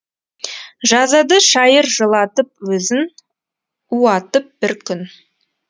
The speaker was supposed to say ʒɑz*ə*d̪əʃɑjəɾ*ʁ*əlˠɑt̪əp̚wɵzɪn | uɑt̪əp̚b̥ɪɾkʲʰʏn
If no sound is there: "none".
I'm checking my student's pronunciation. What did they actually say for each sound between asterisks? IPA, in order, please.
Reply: ɑ, ʒ

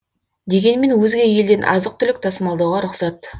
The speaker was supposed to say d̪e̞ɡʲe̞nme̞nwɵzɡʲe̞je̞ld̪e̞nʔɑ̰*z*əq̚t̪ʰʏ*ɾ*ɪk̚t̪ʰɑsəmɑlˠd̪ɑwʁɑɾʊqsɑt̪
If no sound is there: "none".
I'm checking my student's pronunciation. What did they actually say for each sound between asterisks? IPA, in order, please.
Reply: z, l

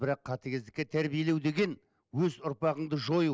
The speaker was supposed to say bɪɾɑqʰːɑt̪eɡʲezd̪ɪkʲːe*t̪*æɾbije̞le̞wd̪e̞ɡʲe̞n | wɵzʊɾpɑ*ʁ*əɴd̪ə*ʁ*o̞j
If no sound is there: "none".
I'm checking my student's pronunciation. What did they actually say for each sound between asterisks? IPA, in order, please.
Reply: t̪ʰ, ʁ, ʒ

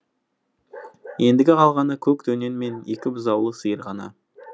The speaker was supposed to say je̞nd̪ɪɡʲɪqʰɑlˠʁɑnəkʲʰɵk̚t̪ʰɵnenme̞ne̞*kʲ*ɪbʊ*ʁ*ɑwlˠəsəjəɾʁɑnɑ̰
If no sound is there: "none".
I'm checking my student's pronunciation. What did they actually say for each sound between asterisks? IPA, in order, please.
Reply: kʲ, z

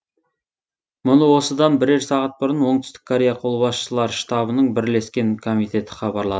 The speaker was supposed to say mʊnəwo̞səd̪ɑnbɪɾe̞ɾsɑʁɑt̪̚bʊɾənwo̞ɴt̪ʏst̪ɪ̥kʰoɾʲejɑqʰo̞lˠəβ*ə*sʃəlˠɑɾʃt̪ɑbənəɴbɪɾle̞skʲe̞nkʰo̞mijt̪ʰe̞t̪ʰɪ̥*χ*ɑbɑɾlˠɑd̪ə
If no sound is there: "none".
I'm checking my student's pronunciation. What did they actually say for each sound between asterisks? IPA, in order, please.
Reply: ɑ, χ

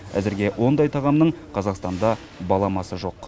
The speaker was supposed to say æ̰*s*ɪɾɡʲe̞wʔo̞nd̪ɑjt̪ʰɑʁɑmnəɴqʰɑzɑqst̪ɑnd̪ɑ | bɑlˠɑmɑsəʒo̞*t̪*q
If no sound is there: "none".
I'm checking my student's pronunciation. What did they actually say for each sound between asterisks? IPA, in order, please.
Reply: z, none

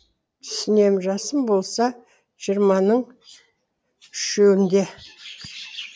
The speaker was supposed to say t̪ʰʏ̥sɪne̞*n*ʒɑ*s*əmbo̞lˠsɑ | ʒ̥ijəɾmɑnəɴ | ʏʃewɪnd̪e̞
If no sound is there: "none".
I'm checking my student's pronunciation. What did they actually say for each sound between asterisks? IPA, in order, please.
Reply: m, s

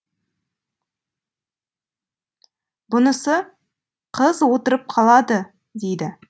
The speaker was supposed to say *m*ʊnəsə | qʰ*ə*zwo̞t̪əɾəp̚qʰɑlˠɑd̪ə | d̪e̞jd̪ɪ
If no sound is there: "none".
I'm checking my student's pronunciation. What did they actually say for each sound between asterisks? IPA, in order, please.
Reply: b, ə

